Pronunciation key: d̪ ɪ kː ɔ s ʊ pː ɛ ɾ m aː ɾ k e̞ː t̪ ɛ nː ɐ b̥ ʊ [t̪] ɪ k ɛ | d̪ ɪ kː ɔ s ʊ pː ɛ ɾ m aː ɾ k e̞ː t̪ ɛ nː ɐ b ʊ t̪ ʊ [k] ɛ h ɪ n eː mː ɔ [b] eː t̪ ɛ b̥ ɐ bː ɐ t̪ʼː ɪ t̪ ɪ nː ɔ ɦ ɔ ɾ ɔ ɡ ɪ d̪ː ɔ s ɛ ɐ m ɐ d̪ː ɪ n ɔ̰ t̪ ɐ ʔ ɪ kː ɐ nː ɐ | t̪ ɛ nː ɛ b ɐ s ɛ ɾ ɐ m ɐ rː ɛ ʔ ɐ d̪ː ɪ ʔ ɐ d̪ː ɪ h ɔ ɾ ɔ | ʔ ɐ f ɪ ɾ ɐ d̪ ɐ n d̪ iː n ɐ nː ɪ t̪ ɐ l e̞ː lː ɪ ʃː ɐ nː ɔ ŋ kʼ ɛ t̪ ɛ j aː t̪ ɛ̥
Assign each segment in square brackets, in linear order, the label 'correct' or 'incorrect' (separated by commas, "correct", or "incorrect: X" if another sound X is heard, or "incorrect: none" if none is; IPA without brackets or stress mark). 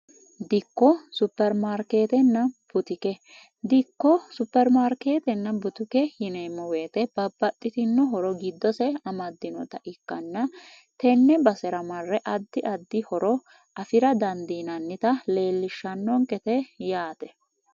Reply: correct, correct, incorrect: w